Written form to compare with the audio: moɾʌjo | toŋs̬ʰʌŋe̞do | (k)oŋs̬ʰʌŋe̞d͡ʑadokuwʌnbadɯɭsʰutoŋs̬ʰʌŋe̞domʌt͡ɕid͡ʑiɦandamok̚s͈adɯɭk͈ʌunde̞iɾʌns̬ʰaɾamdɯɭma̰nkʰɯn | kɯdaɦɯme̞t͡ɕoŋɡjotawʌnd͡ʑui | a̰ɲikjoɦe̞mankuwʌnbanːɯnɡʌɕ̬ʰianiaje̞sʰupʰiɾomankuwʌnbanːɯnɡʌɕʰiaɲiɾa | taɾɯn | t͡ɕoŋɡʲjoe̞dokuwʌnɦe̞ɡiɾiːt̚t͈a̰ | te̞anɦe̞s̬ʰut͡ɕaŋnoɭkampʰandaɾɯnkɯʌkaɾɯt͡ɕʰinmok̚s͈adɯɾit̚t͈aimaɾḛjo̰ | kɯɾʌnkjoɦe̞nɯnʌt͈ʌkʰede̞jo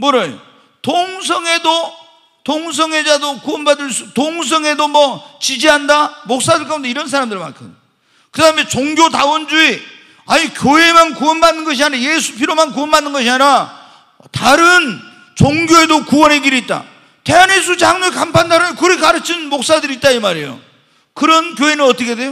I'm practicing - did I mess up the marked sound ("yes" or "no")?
yes